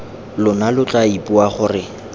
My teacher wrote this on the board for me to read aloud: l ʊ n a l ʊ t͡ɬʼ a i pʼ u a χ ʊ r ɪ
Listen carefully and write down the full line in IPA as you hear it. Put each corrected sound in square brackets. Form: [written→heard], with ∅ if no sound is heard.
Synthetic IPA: l ʊ n a l ʊ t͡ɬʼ a i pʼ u a χ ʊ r ɪ